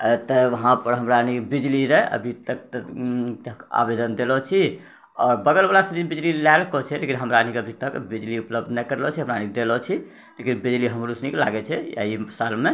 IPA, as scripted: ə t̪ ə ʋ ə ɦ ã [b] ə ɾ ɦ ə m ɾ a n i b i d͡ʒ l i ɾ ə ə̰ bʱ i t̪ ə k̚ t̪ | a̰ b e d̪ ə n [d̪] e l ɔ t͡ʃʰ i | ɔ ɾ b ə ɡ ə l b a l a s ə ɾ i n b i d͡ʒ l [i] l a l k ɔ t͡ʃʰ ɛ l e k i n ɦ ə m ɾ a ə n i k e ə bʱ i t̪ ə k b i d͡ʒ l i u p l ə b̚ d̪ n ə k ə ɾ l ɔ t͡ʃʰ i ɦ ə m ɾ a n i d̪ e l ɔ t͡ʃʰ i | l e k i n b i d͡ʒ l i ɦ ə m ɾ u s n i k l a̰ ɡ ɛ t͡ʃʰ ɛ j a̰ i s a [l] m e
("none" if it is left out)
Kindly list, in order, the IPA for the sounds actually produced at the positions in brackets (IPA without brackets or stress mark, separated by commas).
p, d̪, i, l